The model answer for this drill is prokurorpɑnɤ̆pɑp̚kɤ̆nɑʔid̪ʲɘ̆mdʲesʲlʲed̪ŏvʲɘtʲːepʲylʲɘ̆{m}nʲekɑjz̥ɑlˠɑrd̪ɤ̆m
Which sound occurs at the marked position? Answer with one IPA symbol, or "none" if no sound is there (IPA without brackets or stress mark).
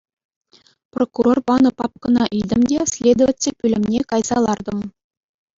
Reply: m